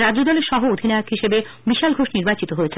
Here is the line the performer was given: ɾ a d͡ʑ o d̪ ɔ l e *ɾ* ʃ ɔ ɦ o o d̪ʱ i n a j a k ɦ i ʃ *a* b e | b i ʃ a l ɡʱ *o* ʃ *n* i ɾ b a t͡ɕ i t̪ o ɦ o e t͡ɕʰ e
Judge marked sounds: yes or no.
yes, no, yes, yes

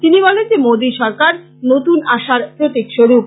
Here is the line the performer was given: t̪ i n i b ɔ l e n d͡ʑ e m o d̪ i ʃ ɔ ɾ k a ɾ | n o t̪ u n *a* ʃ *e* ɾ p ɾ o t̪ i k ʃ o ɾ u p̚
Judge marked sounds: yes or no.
yes, no

